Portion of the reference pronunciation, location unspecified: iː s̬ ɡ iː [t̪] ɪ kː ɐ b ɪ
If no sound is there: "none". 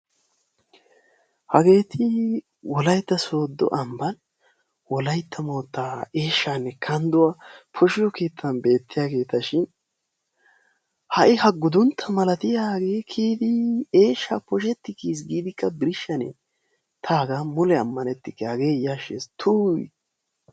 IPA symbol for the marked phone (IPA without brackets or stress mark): d̪